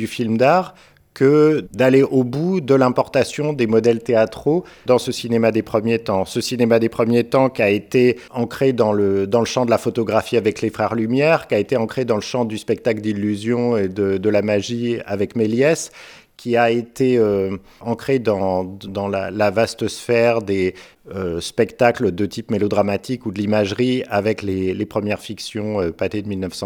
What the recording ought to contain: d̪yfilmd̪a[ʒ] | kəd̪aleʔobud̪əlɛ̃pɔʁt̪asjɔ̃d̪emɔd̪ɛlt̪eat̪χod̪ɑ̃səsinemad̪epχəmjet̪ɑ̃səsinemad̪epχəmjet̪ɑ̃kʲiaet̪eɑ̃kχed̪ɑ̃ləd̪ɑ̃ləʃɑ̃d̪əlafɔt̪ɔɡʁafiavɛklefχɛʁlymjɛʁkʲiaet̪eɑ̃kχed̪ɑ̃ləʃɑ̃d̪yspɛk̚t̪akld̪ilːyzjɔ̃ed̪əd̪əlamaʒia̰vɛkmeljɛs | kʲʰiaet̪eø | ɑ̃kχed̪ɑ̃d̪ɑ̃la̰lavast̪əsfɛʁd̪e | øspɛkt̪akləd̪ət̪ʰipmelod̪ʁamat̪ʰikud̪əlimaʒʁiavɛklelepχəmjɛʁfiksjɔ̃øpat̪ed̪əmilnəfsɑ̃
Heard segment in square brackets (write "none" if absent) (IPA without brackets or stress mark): ʁ